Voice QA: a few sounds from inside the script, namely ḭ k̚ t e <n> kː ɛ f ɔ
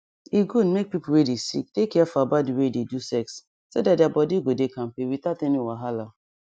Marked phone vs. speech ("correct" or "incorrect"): incorrect